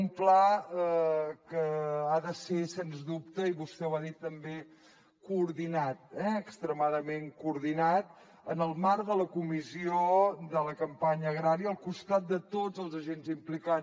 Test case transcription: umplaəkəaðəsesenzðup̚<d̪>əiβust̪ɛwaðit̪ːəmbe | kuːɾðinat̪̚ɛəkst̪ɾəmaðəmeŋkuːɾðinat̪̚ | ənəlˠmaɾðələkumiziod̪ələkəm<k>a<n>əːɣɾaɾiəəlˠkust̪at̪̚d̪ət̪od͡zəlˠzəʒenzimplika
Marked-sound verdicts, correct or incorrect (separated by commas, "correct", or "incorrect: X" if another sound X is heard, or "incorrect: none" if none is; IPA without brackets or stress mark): incorrect: t̪, incorrect: p, incorrect: ɲ